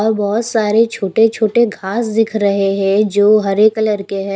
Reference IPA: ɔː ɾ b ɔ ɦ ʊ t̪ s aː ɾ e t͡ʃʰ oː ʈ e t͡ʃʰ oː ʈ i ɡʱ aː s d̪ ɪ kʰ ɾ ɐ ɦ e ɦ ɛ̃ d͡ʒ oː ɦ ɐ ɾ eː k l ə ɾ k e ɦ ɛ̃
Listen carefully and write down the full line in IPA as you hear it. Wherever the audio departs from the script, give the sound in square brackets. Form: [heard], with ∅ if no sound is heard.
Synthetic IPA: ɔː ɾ b ɔ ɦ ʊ t̪ s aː ɾ e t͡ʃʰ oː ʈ e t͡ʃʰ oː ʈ [e] ɡʱ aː s d̪ ɪ kʰ ɾ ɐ ɦ e ɦ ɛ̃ d͡ʒ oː ɦ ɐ ɾ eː k l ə ɾ k e ɦ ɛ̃